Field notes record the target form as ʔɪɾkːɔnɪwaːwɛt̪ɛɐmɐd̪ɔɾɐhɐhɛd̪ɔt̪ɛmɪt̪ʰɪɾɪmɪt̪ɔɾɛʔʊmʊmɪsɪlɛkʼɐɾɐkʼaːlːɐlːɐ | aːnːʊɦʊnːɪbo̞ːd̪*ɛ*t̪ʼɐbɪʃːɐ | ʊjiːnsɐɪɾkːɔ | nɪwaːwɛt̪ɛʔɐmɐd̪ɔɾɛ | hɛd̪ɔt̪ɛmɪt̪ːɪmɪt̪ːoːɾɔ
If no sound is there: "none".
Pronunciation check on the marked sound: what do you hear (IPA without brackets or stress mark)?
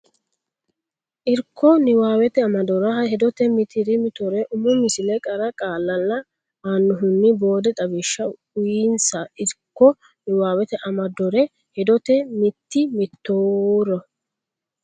ɛ